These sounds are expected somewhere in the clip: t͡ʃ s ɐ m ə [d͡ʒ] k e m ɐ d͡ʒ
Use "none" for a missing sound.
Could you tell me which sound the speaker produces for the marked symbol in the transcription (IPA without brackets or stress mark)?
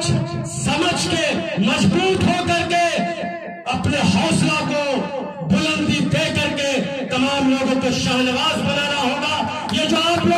d͡ʒ